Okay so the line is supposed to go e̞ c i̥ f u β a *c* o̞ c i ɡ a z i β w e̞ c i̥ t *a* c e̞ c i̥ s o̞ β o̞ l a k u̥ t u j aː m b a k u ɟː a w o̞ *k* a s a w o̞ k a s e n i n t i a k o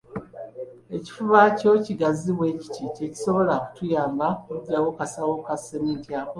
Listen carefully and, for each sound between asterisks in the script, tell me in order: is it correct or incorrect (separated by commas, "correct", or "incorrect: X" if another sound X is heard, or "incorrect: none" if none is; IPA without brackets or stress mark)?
correct, incorrect: i, correct